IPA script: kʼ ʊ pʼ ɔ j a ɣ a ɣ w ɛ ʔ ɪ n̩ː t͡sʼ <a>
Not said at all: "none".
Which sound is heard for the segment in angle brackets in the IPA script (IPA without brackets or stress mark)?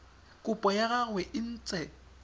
ɛ